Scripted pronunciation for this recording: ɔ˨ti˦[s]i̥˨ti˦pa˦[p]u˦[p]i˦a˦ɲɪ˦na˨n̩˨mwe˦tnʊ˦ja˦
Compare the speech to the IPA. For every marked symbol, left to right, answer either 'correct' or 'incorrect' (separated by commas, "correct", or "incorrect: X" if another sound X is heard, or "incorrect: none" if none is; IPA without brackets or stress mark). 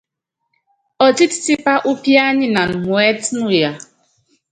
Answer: incorrect: t, incorrect: ʔ, correct